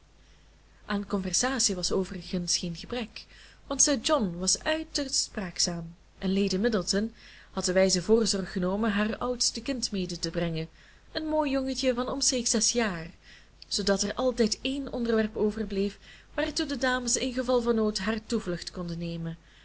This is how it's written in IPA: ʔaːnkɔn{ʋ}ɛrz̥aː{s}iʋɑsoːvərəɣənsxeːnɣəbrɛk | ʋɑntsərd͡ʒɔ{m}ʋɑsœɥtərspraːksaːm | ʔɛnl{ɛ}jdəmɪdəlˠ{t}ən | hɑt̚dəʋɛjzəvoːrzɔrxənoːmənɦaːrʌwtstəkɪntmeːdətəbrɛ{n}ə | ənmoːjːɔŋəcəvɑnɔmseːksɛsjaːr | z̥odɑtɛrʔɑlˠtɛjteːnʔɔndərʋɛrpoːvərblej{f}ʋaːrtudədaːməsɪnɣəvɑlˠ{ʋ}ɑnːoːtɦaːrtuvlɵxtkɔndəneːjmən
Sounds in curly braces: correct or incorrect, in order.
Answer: incorrect: v, correct, incorrect: n, incorrect: e, correct, incorrect: ŋ, correct, incorrect: v

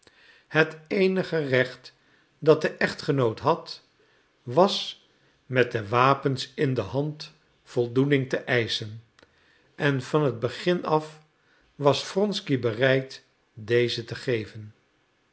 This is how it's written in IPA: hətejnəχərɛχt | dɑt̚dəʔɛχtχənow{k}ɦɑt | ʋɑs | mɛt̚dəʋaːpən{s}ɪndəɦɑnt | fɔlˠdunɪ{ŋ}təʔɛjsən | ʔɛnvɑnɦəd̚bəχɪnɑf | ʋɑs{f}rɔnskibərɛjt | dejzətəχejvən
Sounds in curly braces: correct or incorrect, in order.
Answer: incorrect: t, correct, correct, correct

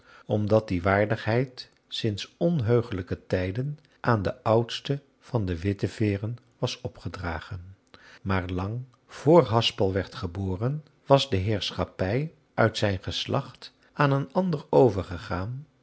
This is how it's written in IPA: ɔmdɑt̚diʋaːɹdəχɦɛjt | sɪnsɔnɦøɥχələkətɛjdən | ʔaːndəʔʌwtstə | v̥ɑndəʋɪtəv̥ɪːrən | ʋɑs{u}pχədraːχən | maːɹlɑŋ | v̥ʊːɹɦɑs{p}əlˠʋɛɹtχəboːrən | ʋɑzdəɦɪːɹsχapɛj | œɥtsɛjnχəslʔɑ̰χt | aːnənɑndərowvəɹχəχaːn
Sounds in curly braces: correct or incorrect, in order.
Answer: incorrect: ɔ, correct

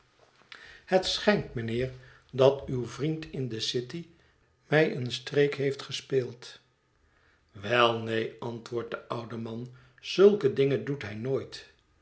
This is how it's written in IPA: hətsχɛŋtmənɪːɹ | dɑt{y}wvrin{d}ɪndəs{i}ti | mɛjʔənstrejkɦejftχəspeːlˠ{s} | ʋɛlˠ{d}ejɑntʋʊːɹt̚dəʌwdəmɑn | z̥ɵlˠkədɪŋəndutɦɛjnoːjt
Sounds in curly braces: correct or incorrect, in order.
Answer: correct, incorrect: t, incorrect: ɪ, incorrect: t, incorrect: n

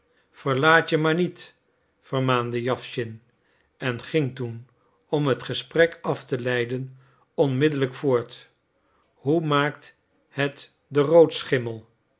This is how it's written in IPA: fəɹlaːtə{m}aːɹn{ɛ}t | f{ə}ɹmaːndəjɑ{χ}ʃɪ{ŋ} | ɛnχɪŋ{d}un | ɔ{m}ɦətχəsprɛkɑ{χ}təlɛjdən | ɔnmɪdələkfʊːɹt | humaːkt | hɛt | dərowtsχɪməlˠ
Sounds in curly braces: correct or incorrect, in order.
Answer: correct, incorrect: i, correct, incorrect: f, incorrect: n, incorrect: t, correct, incorrect: f

